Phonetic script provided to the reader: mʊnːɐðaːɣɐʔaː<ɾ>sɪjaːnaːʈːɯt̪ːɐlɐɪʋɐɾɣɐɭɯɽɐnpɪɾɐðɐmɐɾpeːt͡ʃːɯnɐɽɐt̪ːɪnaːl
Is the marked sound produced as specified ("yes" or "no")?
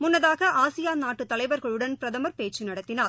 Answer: no